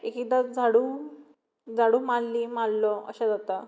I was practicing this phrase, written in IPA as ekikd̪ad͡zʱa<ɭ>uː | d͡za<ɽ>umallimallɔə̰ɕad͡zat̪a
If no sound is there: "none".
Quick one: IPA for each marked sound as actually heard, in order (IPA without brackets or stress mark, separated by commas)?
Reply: ɽ, ɽ